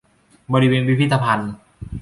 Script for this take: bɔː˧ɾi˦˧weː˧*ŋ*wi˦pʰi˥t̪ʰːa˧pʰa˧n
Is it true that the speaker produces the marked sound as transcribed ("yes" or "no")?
no